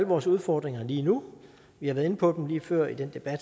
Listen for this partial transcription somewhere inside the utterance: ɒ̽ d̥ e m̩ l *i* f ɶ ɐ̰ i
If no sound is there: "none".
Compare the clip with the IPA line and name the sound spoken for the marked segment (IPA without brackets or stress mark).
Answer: iː